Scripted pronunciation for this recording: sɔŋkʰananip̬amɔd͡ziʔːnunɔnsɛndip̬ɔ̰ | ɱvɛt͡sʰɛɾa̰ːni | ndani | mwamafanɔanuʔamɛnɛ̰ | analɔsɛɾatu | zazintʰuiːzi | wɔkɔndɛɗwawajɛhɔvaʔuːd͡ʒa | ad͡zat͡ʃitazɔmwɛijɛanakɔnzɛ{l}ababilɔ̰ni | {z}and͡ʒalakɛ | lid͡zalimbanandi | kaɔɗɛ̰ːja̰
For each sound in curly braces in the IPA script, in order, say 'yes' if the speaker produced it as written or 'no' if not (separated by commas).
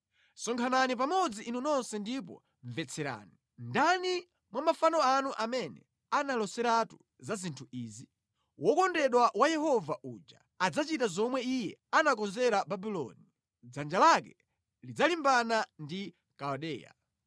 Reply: no, no